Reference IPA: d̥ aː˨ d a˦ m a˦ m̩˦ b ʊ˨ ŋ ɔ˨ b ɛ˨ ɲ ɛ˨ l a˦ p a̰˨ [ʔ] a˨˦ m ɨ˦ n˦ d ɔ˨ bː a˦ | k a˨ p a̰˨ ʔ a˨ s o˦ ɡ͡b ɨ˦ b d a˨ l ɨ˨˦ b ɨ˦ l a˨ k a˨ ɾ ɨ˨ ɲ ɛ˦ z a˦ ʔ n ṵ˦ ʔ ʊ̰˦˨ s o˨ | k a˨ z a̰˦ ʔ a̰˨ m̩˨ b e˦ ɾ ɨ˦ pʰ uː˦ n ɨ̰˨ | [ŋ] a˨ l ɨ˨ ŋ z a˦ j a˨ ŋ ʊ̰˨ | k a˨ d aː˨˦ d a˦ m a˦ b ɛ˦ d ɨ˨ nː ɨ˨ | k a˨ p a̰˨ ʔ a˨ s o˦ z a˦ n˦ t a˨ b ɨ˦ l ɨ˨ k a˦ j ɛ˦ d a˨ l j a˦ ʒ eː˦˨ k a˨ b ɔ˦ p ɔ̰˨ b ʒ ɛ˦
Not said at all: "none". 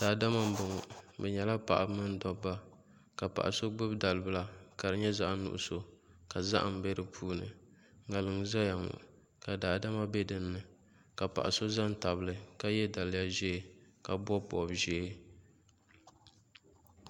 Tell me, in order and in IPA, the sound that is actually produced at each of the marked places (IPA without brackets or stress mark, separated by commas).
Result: ʔ, ŋ